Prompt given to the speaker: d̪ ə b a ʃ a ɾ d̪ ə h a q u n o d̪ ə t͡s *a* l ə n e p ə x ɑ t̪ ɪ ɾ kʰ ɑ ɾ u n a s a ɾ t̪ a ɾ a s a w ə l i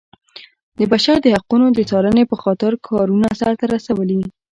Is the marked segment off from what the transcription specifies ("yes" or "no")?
yes